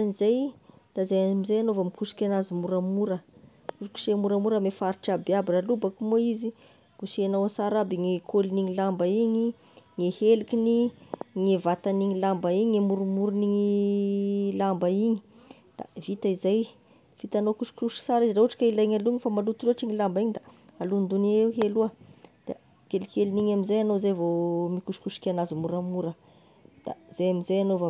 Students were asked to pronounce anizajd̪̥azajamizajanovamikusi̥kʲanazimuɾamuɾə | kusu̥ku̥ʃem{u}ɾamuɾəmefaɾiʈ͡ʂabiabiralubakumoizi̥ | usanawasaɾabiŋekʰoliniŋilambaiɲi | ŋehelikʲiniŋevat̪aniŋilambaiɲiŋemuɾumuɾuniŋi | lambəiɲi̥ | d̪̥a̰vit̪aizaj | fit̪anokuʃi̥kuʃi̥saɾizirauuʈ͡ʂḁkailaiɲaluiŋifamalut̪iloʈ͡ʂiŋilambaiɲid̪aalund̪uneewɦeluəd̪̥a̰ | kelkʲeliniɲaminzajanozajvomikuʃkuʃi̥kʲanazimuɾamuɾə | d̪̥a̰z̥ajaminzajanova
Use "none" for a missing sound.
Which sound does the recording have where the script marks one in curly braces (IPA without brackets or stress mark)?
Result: u